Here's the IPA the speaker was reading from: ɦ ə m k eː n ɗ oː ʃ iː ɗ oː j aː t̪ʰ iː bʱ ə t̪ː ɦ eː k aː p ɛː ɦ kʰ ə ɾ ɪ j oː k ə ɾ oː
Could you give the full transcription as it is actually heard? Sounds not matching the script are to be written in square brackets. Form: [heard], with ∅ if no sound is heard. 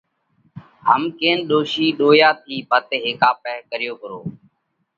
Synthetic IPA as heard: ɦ ə m k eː n ɗ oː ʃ iː ɗ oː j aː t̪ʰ iː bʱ ə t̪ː ɦ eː k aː p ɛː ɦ [k] ə ɾ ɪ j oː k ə ɾ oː